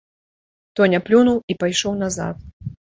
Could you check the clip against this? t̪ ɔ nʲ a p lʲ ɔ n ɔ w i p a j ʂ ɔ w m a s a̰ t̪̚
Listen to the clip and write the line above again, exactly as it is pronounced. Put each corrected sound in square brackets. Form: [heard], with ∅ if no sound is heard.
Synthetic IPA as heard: t̪ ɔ nʲ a p lʲ [u] n [u] w i p a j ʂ ɔ w [n] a [z] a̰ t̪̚

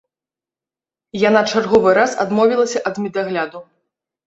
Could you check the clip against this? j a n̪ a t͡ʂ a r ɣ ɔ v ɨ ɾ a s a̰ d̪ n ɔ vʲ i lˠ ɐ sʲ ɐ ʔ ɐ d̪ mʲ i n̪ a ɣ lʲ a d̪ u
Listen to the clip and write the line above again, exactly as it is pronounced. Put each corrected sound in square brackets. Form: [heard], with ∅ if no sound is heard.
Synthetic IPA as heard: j a n̪ a t͡ʂ a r ɣ ɔ v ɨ ɾ a s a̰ d̪ [m] ɔ vʲ i lˠ ɐ sʲ ɐ ʔ ɐ d̪ mʲ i [d̪] a ɣ lʲ a d̪ u

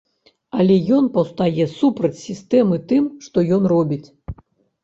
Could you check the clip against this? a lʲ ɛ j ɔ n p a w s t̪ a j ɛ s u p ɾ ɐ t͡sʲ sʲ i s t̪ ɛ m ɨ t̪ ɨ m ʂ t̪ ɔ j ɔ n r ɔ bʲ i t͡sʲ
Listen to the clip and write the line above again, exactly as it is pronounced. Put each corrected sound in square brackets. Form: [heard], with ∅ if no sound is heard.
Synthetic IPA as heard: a lʲ ɛ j ɔ n p [ɐ] w s t̪ a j ɛ s u p ɾ ɐ t͡sʲ sʲ i s t̪ ɛ m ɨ t̪ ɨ m ʂ t̪ ɔ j ɔ n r ɔ bʲ i t͡sʲ

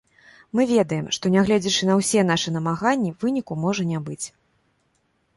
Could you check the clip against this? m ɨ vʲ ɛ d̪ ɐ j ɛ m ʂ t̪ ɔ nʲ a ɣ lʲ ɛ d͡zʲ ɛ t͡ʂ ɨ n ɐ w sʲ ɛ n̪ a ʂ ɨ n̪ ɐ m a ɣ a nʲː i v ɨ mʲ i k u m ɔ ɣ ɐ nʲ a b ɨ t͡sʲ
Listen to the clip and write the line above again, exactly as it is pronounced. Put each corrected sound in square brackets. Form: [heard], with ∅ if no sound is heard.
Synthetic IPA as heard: m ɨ vʲ ɛ d̪ ɐ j ɛ m ʂ t̪ ɔ nʲ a ɣ lʲ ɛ d͡zʲ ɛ t͡ʂ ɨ n ɐ w sʲ ɛ n̪ a ʂ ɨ n̪ ɐ m a ɣ a nʲː i v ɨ [nʲ] i k u m ɔ [ʐ] ɐ nʲ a b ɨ t͡sʲ

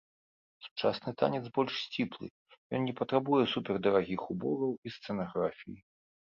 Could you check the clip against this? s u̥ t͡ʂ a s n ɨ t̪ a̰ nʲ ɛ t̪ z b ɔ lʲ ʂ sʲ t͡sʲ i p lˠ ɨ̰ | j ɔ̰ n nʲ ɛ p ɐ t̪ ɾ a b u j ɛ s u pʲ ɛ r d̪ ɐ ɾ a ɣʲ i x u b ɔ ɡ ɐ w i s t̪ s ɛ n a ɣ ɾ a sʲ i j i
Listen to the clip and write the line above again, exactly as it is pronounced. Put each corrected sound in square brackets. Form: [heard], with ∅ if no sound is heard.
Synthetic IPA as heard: s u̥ t͡ʂ a s n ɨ t̪ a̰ nʲ ɛ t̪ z b ɔ lʲ ʂ sʲ t͡sʲ i p lˠ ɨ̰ | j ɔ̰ n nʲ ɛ p ɐ t̪ ɾ a b u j ɛ s u pʲ ɛ r d̪ ɐ ɾ a ɣʲ i x u b ɔ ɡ ɐ w i s t̪ s ɛ n a ɣ ɾ a [fʲ] i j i

